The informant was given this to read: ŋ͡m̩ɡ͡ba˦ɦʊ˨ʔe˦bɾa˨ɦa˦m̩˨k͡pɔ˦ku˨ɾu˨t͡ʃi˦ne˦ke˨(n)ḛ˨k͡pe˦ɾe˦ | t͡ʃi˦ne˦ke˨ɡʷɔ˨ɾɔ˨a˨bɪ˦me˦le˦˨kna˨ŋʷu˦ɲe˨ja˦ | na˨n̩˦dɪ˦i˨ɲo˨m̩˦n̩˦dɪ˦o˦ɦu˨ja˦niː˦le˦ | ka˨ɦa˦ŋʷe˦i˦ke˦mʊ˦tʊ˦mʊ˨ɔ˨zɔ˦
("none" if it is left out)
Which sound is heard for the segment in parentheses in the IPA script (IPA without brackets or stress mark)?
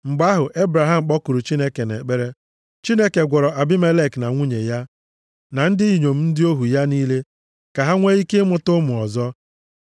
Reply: n